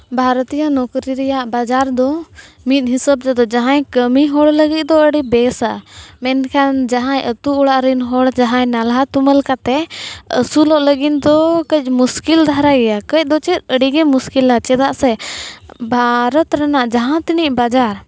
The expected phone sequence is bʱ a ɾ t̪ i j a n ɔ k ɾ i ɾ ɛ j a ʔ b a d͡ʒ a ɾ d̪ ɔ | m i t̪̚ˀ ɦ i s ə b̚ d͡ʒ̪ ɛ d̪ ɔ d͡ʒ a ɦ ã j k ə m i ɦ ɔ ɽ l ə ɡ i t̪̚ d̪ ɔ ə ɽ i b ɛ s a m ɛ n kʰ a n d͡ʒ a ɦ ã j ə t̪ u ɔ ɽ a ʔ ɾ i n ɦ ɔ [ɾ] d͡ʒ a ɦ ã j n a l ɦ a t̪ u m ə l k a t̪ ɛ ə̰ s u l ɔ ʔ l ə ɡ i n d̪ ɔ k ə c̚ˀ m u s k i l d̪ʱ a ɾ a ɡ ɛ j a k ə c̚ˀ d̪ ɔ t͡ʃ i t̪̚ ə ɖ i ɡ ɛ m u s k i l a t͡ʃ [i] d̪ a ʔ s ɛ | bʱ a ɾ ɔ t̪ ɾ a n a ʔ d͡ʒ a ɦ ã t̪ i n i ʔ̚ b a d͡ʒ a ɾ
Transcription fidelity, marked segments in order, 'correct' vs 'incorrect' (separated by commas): incorrect, incorrect